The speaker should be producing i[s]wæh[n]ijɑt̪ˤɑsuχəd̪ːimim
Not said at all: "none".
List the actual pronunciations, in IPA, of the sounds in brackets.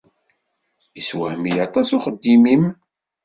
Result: s, m

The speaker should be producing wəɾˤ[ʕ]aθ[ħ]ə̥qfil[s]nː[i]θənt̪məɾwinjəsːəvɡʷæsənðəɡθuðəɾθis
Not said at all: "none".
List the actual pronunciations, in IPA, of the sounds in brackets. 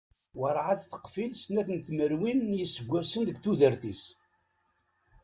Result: ʕ, θ, s, æ

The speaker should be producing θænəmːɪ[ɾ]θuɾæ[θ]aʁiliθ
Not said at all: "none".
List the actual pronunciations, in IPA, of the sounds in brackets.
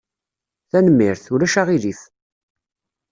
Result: ɾ, ʃ

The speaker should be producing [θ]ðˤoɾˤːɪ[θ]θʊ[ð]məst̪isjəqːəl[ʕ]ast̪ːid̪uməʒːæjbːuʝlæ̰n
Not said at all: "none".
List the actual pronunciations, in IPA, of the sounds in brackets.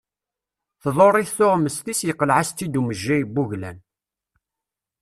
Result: θ, θ, ʁ, ʕ

